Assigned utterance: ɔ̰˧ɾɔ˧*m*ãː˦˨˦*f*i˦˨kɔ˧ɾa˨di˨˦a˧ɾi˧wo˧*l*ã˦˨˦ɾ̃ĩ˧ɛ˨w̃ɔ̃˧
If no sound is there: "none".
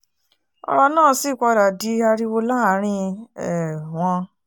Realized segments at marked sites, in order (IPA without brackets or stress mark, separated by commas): n, s, l